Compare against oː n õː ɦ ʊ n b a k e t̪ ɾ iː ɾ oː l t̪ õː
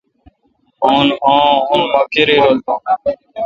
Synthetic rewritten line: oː n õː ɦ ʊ n m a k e ɾ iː ɾ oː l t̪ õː